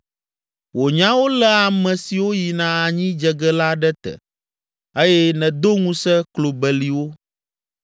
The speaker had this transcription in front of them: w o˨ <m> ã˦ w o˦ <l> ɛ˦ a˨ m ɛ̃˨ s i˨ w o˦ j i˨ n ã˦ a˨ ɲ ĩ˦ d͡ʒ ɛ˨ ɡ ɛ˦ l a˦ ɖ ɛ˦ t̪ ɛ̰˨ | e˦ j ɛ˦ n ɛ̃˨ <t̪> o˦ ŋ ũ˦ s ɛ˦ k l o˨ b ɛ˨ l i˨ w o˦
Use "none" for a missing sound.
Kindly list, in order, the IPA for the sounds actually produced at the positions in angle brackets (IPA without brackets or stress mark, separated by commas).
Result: ɲ, l, d̪